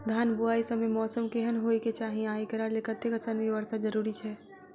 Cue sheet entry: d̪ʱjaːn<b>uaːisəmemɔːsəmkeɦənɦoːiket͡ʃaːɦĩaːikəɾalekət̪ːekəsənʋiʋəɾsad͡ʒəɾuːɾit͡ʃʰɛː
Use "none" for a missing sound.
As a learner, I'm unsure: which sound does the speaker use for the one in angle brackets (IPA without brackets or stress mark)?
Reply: b